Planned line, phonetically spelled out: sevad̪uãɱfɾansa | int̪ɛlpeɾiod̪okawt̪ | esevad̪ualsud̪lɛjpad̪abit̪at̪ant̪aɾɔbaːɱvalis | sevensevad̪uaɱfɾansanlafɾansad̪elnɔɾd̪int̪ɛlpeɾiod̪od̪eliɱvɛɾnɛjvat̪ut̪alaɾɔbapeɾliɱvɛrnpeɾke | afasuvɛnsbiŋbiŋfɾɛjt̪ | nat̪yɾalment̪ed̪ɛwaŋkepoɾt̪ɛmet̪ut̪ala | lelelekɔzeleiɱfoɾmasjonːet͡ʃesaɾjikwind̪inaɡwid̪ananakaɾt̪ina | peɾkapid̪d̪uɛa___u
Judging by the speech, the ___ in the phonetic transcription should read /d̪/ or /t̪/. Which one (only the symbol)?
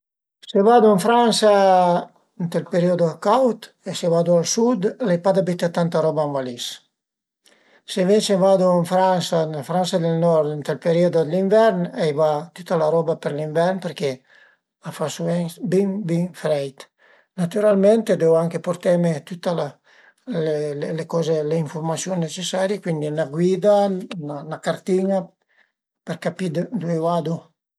d̪